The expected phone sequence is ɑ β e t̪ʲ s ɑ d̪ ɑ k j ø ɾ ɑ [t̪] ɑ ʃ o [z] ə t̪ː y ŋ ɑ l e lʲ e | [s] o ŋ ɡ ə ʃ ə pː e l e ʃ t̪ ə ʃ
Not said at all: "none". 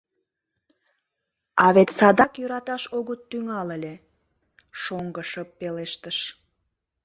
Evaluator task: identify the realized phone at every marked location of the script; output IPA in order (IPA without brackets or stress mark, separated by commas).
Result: t̪, ɣ, ʃ